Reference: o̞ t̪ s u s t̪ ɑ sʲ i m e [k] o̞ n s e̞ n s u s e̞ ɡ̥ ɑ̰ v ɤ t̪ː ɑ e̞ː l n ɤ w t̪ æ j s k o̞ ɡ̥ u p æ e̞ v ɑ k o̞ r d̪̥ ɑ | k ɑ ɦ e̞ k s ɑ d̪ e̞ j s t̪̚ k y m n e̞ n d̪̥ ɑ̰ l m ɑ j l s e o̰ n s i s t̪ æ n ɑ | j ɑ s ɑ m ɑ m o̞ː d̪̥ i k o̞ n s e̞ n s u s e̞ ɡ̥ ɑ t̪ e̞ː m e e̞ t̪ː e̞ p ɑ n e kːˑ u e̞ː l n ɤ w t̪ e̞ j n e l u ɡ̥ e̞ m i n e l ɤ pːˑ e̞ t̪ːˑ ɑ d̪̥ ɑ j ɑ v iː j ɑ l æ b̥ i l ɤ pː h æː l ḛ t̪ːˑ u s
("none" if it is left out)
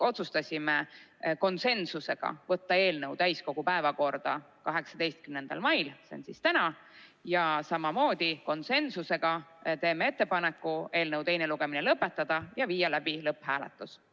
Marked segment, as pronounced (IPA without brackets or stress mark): k